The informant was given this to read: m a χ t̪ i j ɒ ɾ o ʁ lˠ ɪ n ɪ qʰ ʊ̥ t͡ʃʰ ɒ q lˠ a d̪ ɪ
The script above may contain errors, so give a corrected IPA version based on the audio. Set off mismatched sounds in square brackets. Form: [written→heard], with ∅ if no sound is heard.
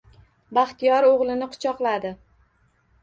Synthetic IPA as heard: [m→b] a χ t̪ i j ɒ ɾ o ʁ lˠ ɪ n ɪ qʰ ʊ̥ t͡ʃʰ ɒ q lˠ a d̪ ɪ